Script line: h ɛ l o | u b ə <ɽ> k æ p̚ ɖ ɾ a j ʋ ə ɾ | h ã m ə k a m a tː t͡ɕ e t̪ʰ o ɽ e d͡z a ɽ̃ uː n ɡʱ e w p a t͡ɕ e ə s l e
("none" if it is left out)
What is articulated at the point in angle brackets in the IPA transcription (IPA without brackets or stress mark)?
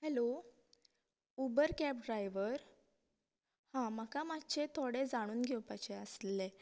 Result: ɾ